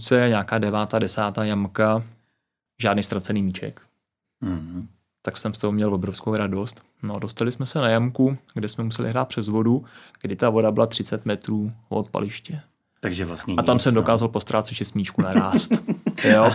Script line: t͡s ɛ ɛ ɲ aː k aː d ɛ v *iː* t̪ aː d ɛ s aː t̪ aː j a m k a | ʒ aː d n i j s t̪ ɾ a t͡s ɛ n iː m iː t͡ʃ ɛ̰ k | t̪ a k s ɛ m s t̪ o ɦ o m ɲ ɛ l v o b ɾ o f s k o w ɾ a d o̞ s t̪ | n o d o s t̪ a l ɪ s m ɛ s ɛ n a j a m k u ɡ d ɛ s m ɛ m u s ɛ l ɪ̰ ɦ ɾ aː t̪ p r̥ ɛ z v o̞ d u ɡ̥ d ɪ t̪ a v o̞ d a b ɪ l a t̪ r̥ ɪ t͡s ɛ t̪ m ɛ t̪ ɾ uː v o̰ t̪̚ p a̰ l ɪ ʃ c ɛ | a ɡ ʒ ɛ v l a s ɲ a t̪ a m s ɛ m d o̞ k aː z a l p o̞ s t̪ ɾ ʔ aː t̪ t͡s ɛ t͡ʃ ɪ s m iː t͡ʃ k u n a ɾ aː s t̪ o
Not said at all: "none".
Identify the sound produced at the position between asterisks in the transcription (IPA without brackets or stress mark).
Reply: aː